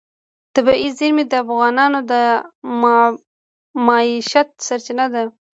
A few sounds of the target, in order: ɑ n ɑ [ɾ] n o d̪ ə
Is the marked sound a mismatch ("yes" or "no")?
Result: yes